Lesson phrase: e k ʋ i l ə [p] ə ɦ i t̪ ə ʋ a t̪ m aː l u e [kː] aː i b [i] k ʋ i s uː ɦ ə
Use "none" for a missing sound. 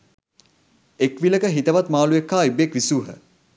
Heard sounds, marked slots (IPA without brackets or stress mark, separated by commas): k, kː, e